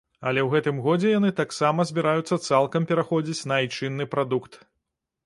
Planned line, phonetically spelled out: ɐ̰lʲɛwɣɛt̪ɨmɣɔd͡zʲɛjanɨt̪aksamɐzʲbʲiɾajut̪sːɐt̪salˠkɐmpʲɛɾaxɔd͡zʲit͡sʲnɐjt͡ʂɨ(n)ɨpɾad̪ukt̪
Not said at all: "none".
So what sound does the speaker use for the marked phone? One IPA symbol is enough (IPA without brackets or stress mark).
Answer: nː